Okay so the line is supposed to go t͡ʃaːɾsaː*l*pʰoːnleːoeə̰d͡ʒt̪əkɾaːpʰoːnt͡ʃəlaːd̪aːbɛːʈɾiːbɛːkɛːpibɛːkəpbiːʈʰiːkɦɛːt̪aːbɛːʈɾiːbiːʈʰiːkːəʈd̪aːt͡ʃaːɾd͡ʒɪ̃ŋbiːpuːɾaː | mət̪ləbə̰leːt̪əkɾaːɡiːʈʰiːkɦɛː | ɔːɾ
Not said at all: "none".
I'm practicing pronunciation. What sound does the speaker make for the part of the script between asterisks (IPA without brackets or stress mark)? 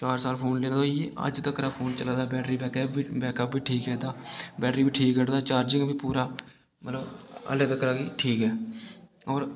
l